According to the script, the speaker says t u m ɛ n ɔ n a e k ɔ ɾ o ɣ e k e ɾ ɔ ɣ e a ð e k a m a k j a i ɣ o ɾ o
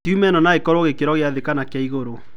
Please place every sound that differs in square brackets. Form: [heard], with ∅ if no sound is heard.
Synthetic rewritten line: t u m ɛ n ɔ n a e k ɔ ɾ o ɣ e k e ɾ ɔ ɣ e a ð e k a [n] a k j a i ɣ o ɾ o